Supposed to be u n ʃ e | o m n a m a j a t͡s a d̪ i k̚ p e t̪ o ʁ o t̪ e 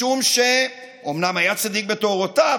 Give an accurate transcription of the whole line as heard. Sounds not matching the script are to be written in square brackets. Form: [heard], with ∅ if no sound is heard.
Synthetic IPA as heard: u [m] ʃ e | o m n a m a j a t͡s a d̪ i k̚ [b] e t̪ o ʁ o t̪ [a]